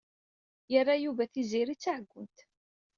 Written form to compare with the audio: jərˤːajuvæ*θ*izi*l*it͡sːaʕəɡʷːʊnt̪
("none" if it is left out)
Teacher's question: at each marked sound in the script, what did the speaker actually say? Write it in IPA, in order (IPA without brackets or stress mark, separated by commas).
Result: θ, ɾ